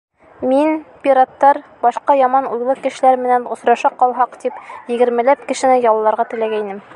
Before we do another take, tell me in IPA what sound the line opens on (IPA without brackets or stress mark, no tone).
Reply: m